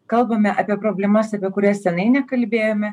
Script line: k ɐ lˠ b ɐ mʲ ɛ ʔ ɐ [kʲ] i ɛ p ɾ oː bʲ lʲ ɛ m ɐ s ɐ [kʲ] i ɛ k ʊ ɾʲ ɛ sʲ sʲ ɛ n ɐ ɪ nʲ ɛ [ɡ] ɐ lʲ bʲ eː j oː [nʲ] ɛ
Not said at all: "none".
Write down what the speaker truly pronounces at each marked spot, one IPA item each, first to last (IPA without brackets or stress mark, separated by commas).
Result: pʲ, pʲ, k, mʲ